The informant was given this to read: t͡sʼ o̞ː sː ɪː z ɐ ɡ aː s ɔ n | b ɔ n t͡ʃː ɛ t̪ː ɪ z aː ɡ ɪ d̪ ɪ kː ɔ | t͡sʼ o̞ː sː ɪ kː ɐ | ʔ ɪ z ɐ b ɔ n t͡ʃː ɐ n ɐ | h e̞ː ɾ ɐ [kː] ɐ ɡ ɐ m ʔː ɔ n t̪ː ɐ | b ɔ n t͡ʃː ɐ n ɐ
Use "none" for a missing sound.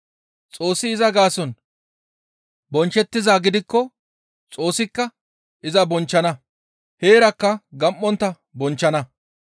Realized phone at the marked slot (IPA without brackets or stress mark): kː